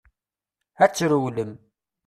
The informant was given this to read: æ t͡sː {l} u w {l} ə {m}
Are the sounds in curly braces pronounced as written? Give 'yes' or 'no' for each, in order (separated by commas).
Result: no, yes, yes